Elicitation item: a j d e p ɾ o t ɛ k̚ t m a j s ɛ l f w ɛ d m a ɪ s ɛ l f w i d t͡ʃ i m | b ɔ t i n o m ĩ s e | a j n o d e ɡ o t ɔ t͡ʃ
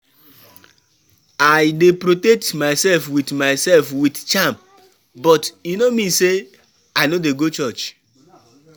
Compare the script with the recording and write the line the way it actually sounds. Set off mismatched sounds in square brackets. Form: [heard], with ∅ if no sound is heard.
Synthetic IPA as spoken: a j d e p ɾ o t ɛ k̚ t m a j s ɛ l f w [i] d m a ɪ s ɛ l f w i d t͡ʃ [a] m | b ɔ t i n o m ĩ s e | a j n o d e ɡ o [t͡ʃ] ɔ t͡ʃ